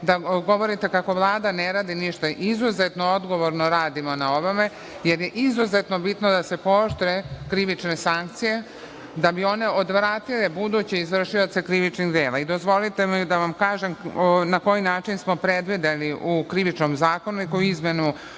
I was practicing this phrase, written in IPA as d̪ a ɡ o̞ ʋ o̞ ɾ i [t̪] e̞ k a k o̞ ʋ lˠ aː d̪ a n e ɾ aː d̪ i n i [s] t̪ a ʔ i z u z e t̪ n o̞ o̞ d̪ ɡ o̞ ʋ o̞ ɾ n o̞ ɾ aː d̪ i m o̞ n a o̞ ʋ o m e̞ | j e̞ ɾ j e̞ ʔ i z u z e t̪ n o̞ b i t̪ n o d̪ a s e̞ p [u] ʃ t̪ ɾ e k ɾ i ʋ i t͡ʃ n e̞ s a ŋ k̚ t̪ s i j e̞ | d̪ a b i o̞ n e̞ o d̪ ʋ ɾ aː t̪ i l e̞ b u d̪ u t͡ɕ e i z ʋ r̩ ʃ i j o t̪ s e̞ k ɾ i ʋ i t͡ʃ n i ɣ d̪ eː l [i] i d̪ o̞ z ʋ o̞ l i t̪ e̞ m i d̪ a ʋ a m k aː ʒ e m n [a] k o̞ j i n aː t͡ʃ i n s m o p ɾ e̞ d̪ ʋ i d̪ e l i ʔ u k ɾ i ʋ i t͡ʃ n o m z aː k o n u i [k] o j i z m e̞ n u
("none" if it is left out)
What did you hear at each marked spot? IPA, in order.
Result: t̪, ʃ, o, a, a, k

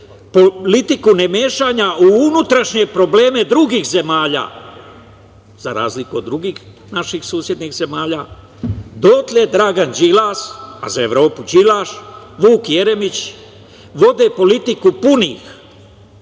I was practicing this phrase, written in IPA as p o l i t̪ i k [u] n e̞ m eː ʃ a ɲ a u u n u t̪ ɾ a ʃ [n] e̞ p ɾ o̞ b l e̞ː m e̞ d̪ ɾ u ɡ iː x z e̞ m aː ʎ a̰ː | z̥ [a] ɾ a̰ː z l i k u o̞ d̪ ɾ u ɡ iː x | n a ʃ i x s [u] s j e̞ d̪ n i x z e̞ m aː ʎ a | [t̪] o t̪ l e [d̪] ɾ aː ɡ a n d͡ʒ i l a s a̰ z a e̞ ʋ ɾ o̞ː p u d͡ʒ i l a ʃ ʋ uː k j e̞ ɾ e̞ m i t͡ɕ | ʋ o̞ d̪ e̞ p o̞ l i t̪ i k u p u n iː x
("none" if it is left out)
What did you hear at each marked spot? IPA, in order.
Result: u, ɲ, a, uː, d̪, d̪

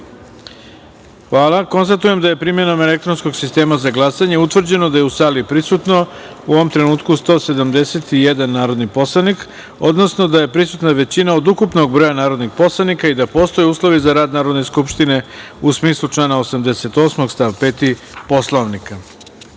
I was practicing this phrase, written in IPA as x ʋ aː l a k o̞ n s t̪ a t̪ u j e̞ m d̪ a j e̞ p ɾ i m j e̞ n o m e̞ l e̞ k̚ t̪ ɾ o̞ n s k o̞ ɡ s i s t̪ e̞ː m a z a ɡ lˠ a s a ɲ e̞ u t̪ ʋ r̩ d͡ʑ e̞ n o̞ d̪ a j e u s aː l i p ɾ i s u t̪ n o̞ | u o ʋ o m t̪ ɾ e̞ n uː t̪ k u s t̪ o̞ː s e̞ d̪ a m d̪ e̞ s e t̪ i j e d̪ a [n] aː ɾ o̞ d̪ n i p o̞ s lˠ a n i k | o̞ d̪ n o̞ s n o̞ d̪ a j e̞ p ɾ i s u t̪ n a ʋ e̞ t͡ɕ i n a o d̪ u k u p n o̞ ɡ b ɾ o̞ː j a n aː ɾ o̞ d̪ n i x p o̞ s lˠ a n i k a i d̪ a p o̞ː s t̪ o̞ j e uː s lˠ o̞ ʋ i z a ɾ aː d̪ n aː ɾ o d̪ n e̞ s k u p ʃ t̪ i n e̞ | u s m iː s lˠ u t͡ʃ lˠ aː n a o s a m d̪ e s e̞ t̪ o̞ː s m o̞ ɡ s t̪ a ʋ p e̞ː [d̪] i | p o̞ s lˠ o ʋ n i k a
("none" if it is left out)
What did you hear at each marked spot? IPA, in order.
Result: nː, t̪

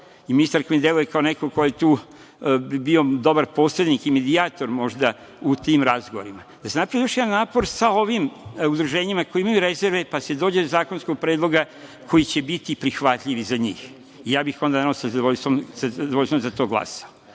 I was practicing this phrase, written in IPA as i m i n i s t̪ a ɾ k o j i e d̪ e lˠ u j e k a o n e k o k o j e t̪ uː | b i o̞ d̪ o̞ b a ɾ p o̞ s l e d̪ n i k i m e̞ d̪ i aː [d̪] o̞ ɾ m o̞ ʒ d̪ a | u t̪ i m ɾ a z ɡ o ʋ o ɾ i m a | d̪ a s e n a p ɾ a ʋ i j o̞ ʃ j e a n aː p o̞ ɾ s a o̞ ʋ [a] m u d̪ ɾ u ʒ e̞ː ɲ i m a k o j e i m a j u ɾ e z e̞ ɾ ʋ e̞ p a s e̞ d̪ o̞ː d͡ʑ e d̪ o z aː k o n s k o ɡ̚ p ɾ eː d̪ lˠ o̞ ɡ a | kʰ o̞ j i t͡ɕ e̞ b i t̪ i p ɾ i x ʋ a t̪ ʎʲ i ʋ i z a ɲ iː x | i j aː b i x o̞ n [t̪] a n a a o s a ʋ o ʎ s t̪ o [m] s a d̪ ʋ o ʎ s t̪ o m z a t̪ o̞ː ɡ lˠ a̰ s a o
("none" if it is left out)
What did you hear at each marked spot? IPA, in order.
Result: t̪, i, d̪, m

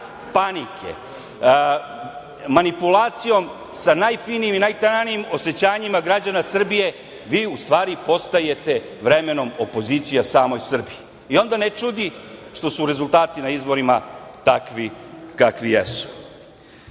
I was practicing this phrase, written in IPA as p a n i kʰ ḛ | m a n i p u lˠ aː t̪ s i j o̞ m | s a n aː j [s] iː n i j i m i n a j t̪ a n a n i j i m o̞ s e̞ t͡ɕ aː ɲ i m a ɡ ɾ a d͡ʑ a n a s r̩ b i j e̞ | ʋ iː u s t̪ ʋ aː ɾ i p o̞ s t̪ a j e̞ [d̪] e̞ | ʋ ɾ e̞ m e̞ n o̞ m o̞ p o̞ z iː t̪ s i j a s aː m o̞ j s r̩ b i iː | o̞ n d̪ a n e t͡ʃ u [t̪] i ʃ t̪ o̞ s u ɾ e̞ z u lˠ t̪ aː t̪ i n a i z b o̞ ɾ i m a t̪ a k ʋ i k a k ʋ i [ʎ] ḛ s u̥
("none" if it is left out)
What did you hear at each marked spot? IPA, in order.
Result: f, t̪, d̪, j

